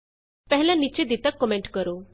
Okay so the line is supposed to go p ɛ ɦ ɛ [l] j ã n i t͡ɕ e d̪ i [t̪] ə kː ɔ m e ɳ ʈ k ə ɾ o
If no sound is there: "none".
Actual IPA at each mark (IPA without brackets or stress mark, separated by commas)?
l, t̪